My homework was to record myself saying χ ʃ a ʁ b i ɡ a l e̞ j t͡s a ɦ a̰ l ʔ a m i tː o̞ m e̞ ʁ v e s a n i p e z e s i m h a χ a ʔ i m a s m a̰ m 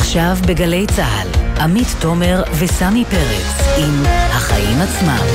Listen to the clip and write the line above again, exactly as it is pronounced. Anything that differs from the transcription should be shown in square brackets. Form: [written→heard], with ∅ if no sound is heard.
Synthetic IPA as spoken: χ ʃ a [ʁ→v] b [i→e] ɡ a l e̞ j t͡s a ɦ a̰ l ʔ a m i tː o̞ m e̞ ʁ v e s a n i p e [z→ʁ] e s i m h a χ a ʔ i m a [s→t͡s] m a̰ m